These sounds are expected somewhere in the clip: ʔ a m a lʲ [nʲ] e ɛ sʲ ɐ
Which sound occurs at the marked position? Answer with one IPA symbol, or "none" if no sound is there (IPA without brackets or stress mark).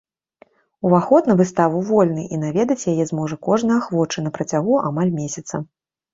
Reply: mʲ